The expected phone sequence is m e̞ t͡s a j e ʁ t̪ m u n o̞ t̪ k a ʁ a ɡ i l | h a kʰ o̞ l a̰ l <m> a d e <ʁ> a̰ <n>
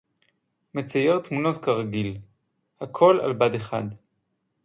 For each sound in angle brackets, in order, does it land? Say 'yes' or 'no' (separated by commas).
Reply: no, no, no